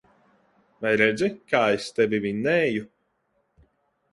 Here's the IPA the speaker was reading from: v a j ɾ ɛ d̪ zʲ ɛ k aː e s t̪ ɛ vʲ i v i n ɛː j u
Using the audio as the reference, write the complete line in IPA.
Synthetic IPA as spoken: v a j ɾ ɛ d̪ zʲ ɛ k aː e s t̪ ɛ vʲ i v i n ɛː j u

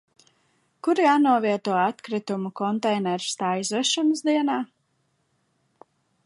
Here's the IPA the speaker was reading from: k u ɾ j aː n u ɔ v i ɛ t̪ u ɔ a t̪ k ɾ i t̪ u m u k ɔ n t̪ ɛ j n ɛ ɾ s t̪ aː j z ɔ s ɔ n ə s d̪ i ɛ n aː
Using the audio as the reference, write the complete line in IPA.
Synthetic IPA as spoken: k u ɾ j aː n u ɔ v i ɛ t̪ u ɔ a t̪ k ɾ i t̪ u m u k ɔ n t̪ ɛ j n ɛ ɾ s t̪ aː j z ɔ ʃ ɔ n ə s d̪ i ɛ n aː

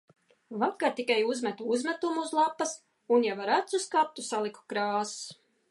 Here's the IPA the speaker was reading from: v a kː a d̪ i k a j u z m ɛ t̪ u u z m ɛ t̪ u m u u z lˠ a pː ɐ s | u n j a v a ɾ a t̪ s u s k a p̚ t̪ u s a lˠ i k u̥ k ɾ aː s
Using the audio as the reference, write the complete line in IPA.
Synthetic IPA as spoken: v a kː a t̪ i k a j u z m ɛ t̪ u u z m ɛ t̪ u m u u z lˠ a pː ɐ s | u n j a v a ɾ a t̪ s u s k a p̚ t̪ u s a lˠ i k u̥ k ɾ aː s

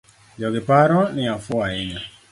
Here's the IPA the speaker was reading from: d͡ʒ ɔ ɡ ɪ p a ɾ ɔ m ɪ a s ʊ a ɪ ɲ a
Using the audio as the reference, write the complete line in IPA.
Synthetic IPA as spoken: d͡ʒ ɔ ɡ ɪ p a ɾ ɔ n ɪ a f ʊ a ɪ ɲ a

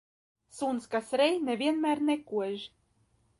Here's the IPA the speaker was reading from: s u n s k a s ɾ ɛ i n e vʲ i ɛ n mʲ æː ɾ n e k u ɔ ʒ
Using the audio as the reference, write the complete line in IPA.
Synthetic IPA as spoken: s u n s k a s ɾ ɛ j n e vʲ i ɛ n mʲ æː ɾ n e k u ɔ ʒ

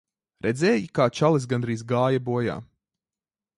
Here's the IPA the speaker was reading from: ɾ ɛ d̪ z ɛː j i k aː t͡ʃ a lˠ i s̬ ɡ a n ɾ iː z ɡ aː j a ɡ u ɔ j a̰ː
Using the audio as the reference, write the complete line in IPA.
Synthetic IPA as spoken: ɾ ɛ d̪ z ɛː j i k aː t͡ʃ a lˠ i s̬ ɡ a n ɾ iː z ɡ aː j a b u ɔ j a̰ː

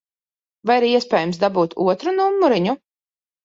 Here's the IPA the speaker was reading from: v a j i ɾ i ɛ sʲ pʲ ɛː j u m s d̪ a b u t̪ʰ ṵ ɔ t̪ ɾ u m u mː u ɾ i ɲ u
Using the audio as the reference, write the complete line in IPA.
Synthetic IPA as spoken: v a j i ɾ i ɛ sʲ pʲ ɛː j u m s d̪ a b uː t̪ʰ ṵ ɔ t̪ ɾ u n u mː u ɾ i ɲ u

